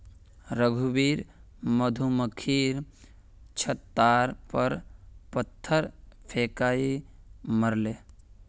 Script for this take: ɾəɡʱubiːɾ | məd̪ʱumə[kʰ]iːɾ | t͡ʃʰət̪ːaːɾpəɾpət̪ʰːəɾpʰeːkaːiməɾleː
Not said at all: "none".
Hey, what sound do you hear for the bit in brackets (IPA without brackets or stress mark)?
kʰ